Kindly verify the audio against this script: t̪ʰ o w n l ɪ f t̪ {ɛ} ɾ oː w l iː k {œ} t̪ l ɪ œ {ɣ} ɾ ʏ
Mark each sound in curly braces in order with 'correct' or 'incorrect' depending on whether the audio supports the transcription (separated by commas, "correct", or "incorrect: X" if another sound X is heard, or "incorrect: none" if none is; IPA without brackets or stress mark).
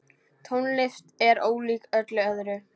correct, correct, incorrect: ð